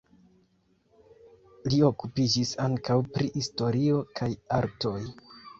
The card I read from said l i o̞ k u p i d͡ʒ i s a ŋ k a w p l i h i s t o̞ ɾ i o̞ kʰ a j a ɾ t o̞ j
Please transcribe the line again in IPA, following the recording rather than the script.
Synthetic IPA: l i o̞ k u p i d͡ʒ i s a ŋ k a w p ɾ i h i s t o̞ ɾ i o̞ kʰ a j a ɾ t o̞ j